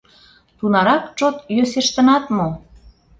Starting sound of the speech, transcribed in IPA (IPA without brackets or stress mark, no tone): t̪